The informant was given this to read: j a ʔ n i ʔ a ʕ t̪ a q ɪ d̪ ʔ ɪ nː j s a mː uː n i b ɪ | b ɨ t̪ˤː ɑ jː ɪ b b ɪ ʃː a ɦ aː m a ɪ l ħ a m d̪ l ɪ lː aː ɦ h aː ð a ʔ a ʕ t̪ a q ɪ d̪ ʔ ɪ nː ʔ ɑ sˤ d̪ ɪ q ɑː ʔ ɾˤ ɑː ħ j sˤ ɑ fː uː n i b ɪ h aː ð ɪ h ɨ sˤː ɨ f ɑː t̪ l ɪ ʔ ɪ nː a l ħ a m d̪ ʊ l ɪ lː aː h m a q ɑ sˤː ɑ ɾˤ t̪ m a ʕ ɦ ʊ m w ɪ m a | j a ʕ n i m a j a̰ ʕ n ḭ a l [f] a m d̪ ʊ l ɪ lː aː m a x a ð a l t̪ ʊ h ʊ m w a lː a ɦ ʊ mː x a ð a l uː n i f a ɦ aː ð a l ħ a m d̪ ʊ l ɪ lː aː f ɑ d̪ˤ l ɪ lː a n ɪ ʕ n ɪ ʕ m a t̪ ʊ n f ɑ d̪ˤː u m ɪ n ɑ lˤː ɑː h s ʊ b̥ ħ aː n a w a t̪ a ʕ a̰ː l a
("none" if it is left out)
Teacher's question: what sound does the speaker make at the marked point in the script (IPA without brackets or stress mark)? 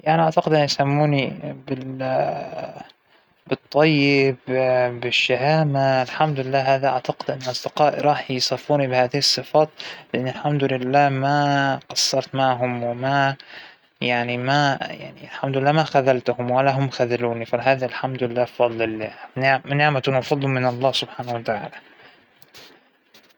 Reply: ħ